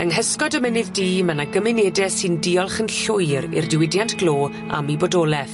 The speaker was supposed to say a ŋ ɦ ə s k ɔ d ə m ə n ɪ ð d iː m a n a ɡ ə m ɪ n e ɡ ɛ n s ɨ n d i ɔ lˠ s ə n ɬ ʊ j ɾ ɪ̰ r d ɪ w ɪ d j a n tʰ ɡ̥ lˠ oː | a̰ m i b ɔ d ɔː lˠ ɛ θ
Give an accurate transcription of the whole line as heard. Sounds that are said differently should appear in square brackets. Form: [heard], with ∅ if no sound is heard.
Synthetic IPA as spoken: [ə] ŋ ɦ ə s k ɔ d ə m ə n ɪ ð d iː m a n a ɡ ə m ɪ n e [d] ɛ [∅] s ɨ n d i ɔ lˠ [χ] ə n ɬ ʊ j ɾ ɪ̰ r d ɪ w ɪ d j a n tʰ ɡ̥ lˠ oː | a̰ m i b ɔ d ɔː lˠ ɛ θ